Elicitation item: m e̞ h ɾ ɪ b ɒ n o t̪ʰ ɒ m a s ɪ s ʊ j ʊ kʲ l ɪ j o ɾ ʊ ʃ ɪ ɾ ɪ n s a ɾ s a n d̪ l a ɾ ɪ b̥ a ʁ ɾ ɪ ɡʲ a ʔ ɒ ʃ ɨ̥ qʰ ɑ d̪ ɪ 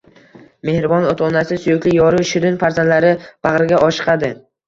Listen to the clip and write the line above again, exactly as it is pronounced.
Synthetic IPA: m e̞ h ɾ ɪ b ɒ n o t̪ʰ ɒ n a s ɪ s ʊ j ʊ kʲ l ɪ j ɒ ɾ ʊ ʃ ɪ ɾ ɪ n f a ɾ z a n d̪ l a ɾ ɪ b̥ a ʁ ɾ ɪ ɡʲ a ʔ ɒ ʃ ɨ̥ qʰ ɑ d̪ ɪ